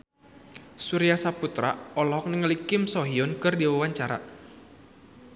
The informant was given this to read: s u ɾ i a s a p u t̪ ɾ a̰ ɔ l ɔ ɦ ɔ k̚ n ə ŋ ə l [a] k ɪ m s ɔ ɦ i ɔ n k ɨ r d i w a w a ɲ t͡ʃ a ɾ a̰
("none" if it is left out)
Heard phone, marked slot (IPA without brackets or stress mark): i